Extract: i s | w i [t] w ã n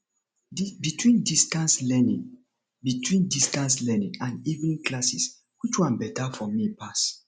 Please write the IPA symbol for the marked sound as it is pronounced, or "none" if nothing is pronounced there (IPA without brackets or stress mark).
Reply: t͡ʃ